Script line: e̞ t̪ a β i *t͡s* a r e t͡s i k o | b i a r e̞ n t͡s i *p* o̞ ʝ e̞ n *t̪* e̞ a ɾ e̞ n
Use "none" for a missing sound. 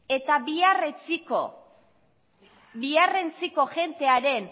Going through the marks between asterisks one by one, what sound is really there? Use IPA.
none, k, t̪

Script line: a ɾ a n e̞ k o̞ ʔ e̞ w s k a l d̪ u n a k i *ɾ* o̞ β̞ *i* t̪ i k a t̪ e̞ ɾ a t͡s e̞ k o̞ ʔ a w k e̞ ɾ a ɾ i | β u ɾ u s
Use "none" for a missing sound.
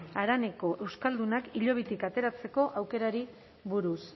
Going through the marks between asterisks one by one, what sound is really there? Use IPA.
ʎ, i

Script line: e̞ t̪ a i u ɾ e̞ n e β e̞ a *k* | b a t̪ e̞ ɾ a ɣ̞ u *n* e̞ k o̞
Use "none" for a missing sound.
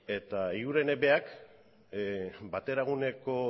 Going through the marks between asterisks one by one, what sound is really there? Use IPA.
k, n

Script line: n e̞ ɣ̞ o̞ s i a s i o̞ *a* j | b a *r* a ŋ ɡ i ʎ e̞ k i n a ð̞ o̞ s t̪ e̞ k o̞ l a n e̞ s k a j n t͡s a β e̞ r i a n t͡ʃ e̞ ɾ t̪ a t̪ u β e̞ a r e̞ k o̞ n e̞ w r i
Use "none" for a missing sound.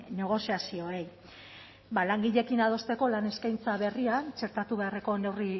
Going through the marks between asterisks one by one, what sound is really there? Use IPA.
e, l

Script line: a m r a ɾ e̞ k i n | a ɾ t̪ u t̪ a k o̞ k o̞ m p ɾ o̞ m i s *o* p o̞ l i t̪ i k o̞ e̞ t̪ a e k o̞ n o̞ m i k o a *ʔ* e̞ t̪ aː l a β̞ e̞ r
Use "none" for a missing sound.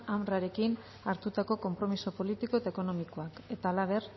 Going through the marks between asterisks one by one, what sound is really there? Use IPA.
o, k

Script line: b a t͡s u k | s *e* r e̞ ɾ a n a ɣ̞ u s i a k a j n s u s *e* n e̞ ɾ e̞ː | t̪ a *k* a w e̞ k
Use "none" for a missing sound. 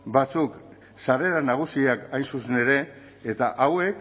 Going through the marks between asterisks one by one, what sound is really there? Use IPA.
a, e, ʔ

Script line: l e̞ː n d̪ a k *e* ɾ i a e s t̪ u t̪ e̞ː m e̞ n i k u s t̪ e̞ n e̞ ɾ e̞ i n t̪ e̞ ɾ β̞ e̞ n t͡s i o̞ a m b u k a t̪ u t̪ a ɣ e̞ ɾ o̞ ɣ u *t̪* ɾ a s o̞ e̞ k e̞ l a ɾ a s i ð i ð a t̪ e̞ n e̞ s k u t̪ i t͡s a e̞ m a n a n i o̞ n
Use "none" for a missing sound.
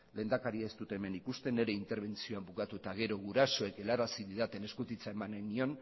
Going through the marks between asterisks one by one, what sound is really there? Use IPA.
a, none

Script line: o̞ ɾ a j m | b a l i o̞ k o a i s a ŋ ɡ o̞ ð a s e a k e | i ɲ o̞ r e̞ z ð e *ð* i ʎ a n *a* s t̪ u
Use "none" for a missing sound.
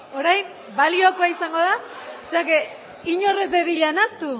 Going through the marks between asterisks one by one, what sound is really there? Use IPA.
ð, a

